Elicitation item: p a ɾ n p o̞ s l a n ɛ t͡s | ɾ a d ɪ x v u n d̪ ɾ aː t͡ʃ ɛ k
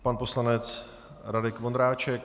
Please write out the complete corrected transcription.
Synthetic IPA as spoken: p a n p o̞ s l a n ɛ t͡s | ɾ a d ɪ k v o n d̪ ɾ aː t͡ʃ ɛ k